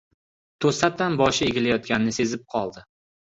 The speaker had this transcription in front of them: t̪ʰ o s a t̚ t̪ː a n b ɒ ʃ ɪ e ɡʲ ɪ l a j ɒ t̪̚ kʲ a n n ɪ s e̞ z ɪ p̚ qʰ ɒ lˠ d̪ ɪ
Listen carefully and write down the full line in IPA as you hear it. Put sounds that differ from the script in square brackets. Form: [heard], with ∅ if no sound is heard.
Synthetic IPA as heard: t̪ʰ o s a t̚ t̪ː a n b ɒ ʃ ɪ e ɡʲ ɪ l a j ɒ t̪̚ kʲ a n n ɪ s e̞ z ɪ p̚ qʰ ɒ lˠ d̪ ɪ